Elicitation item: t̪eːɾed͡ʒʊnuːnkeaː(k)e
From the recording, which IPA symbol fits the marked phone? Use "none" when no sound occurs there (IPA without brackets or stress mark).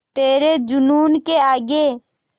ɡ